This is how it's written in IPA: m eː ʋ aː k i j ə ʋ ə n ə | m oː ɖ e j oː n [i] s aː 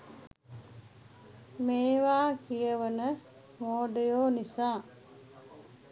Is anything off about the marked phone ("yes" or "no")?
no